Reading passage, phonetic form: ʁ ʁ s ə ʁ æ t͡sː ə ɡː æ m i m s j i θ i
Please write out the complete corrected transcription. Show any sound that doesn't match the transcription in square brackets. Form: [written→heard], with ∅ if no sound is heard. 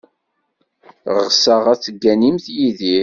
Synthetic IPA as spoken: ʁ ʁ s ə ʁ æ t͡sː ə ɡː æ [m→n] i m [s→θ] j i [θ→ð] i